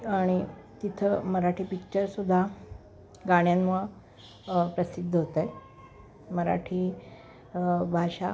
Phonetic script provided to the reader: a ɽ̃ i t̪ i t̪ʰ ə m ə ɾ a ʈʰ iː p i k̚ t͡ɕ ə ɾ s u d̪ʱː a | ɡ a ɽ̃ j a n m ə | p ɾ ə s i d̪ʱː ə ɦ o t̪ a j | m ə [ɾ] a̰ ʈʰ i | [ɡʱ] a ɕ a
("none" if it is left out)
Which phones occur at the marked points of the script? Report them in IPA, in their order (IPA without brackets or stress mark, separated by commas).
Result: ɾ, bʱ